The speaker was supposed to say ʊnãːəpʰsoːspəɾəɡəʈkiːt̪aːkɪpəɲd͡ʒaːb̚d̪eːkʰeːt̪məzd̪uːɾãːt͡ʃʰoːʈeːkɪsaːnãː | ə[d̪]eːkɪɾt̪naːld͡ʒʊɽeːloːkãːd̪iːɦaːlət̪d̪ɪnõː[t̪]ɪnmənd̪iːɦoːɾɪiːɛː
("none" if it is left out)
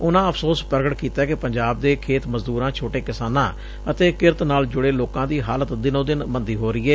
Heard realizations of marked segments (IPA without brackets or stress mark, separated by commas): t̪, d̪